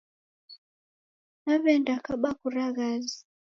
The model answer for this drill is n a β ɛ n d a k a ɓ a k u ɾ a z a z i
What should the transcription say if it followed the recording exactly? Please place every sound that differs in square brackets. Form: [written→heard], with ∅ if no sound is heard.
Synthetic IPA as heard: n a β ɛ n d a k a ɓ a k u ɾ a [z→ɣ] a z i